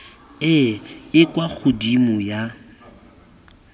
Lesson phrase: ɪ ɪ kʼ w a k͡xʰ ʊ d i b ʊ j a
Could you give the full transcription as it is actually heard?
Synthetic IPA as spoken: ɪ ɪ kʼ w a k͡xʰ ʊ d i m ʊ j a